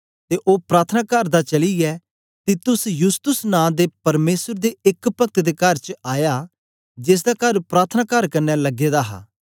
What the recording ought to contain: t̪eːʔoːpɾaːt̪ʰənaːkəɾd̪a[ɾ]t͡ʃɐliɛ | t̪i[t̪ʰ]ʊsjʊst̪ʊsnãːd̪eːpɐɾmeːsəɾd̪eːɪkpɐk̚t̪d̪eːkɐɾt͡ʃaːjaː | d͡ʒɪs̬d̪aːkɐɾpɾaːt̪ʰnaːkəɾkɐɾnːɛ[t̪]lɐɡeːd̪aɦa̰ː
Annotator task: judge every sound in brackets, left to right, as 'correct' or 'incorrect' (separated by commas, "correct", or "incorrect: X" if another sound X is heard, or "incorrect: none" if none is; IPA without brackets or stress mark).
incorrect: none, incorrect: t̪, incorrect: none